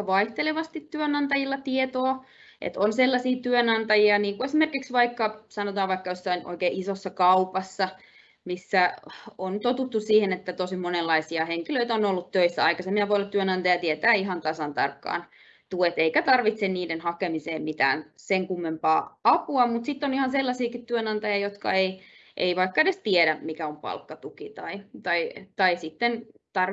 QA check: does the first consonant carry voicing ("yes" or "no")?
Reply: yes